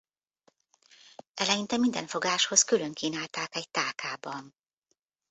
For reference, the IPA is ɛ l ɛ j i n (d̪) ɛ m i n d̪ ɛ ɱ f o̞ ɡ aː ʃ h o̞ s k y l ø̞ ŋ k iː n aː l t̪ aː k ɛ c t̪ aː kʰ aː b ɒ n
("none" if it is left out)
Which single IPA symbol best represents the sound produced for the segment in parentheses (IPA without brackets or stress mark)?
t̪